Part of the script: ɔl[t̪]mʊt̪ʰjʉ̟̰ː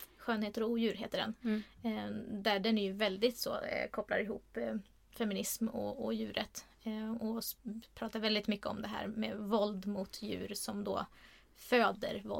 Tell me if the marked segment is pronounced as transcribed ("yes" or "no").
no